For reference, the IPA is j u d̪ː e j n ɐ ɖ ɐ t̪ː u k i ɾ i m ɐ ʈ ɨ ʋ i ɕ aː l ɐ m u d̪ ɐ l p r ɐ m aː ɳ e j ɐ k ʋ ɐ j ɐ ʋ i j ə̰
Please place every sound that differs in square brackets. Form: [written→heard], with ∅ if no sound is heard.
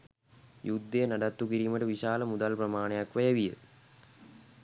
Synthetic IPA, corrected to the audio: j u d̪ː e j n ɐ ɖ ɐ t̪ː u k i ɾ i m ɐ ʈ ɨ ʋ i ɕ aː l ɐ m u d̪ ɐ l p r ɐ m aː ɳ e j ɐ k ʋ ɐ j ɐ ʋ i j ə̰